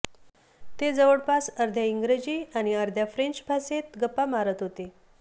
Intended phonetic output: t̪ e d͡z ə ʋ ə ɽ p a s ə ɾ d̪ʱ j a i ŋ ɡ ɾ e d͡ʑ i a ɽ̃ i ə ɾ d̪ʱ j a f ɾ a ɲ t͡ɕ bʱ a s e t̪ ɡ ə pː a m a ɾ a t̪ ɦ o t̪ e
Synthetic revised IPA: t̪ e d͡z ə ʋ ə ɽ p a s ə ɾ d̪ʱ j a i ŋ ɡ ɾ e d͡ʑ i a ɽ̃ i ə ɾ d̪ʱ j a f ɾ e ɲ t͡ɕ bʱ a s e t̪ ɡ ə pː a m a ɾ ə t̪ ɦ o t̪ e